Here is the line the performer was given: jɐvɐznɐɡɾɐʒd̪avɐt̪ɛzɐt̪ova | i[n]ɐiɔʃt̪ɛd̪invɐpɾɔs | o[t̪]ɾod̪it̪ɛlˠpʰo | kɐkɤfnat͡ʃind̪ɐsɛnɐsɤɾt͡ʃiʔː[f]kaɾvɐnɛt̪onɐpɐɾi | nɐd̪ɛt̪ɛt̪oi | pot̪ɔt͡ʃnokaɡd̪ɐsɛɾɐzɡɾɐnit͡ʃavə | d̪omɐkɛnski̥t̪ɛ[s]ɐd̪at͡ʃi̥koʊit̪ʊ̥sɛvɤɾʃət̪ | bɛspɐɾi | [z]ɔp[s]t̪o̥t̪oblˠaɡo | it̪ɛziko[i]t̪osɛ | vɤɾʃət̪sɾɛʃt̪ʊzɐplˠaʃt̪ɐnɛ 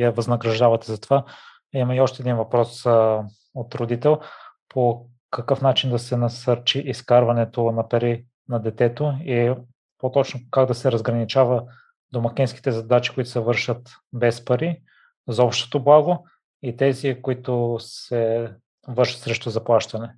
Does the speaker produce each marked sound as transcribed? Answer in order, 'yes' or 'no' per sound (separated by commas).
no, yes, no, no, yes, no, yes